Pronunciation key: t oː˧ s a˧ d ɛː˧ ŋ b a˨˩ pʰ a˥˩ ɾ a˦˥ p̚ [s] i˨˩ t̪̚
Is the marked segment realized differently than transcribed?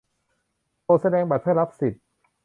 no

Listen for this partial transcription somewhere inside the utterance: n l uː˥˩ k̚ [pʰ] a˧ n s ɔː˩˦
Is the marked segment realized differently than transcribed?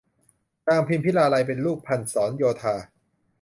no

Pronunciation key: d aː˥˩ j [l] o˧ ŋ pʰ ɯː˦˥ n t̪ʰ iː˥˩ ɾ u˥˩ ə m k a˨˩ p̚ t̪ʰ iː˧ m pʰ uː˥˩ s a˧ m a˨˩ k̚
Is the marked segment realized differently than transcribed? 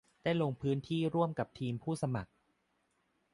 no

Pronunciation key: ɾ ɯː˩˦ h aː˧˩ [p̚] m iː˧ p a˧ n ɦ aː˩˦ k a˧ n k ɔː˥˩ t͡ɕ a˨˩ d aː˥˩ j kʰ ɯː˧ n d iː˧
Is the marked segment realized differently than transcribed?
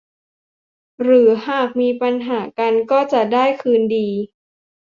yes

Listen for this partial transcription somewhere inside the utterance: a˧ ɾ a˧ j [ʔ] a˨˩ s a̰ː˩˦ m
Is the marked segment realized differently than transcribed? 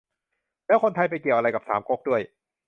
yes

